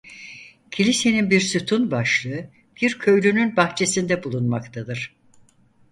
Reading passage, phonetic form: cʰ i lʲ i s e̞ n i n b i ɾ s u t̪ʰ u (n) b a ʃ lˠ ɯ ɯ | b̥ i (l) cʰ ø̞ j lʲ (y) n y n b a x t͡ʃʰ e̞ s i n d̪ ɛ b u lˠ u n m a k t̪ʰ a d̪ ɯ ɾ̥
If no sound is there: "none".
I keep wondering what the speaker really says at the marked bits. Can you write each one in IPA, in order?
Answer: n, ɾ, y

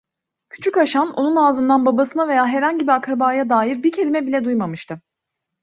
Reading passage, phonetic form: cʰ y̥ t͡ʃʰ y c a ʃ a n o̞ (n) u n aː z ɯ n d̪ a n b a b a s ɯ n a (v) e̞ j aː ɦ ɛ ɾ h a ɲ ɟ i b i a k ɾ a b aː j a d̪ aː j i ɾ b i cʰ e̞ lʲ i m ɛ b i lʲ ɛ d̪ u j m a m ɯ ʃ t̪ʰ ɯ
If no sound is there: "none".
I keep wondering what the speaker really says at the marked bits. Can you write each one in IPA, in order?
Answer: n, v

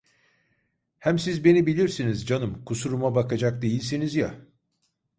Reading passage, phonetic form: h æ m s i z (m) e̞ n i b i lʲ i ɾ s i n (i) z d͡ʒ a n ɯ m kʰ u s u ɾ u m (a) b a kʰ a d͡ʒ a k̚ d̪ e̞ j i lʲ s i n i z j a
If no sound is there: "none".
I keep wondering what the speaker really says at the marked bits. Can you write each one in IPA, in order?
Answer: b, i, a

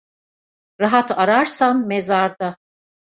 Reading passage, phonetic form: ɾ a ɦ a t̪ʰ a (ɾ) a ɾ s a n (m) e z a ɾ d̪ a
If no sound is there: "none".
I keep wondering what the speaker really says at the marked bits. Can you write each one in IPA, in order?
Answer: ɾ, m

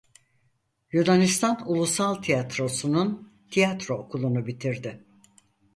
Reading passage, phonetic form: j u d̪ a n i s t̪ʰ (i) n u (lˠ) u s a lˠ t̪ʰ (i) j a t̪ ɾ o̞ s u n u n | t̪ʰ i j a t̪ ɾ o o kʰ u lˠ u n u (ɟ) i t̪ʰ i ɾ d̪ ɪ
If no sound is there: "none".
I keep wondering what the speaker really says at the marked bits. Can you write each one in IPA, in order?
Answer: a, lˠ, i, b

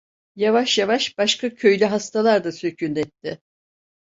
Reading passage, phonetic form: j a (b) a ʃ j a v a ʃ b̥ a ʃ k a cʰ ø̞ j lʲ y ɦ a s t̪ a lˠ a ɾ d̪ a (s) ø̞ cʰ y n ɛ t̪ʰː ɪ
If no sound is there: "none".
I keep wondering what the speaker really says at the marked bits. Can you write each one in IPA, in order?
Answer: v, s

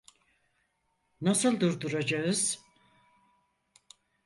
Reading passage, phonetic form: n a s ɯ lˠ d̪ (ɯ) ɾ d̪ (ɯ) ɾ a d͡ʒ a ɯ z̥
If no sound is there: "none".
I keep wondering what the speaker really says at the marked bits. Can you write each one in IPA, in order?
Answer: u, u

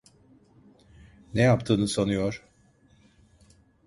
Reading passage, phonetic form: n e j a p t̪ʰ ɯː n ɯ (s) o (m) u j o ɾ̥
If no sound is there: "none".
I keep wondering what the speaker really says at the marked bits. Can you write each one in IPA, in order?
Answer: s, n

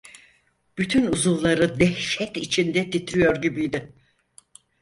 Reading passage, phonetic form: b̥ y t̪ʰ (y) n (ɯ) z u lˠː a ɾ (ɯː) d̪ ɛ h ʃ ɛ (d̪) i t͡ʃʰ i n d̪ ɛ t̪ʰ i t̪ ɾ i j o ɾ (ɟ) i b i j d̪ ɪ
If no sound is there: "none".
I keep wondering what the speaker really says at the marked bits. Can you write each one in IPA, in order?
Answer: y, u, ɯ, t̪, ɟ

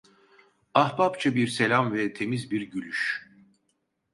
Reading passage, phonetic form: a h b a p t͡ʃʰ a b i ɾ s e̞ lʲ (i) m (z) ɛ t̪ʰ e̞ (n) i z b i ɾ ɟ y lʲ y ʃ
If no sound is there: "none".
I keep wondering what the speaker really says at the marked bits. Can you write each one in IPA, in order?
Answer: a, v, m

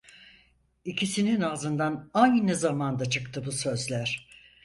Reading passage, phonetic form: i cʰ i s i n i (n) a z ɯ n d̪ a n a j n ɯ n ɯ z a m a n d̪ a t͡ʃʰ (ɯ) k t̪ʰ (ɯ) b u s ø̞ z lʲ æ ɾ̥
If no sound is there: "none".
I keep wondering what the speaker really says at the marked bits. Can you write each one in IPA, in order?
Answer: n, ɯ, ɯ

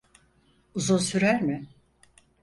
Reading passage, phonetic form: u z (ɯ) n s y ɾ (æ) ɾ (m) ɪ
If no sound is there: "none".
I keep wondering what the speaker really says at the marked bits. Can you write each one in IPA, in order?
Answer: u, æ, m

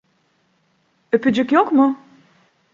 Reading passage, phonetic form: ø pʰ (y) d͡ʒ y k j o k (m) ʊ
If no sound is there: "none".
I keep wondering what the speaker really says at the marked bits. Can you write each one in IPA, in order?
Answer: y, m

